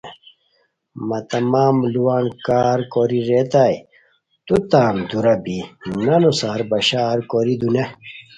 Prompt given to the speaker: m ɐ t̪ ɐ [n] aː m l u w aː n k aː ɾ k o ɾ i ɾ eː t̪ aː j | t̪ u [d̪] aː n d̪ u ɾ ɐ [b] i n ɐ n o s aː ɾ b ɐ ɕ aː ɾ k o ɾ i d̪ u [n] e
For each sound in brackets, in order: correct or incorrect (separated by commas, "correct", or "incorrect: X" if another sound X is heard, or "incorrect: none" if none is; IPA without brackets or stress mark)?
incorrect: m, incorrect: t̪, correct, correct